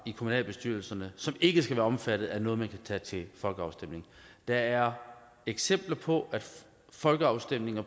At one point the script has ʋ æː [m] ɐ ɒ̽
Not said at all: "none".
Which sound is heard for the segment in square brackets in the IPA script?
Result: none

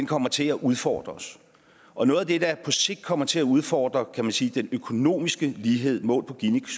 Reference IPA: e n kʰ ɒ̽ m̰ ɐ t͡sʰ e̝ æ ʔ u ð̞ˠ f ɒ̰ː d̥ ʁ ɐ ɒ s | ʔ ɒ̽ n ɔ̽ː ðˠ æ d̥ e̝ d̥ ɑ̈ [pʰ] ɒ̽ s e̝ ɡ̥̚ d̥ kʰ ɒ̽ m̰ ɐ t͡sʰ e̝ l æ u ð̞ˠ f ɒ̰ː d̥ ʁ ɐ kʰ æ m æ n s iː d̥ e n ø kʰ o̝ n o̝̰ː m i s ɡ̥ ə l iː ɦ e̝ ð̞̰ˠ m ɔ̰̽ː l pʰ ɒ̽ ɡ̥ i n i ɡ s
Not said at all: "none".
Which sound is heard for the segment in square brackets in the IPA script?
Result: pʰ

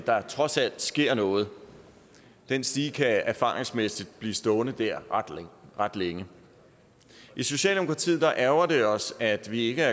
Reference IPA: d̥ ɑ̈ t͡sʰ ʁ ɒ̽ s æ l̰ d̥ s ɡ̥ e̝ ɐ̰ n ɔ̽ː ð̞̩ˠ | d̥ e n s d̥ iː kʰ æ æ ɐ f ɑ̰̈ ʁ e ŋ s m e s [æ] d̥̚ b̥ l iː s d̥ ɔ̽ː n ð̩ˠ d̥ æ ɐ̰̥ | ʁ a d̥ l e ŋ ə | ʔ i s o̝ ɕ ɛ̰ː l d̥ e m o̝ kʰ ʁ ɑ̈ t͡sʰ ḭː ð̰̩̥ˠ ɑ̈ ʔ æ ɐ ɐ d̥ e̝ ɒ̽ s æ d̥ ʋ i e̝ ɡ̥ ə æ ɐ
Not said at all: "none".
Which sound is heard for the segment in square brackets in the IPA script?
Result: i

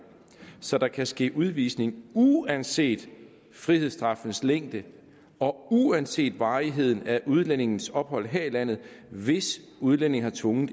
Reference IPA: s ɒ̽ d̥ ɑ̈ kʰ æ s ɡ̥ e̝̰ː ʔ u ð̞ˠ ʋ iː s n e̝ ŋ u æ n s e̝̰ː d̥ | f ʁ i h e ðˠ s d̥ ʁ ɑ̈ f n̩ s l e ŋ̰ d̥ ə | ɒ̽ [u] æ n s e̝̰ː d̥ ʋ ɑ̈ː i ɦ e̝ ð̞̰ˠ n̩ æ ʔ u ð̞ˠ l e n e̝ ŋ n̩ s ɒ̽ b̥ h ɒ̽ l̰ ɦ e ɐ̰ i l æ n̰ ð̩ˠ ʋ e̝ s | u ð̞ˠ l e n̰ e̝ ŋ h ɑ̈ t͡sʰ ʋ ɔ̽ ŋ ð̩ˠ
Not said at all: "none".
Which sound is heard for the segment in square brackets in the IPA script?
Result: u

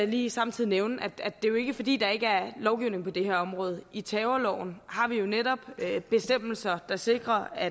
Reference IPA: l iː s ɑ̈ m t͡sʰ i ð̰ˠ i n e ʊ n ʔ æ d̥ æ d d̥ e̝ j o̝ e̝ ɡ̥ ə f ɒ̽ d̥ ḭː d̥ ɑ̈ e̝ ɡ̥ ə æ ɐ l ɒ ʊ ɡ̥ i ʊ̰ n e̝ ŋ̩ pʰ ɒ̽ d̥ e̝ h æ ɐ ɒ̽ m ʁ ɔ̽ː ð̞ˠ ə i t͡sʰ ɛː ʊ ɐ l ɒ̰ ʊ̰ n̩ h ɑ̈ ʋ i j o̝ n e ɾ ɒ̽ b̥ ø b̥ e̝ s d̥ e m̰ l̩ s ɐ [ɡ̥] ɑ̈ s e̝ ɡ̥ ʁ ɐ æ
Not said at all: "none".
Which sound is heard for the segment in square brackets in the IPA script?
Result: d̥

